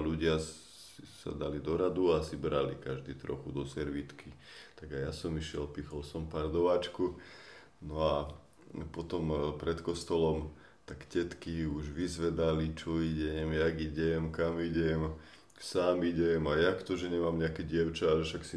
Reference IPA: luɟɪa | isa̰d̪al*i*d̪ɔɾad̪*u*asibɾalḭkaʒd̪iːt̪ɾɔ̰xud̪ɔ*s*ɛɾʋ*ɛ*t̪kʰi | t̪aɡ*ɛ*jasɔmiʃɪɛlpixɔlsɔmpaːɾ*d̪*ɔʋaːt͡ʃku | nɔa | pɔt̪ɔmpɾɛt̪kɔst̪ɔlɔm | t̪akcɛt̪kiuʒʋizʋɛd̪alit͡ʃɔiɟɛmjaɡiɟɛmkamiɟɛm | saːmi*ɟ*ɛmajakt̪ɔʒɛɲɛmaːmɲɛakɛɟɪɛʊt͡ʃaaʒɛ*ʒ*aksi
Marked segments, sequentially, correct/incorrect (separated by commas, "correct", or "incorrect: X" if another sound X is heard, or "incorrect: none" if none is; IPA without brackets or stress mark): correct, correct, correct, incorrect: i, incorrect: a, correct, correct, incorrect: ʃ